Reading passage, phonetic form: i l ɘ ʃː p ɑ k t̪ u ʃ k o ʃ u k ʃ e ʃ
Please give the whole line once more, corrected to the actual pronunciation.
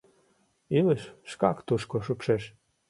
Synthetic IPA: i l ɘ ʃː k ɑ k t̪ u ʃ k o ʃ u p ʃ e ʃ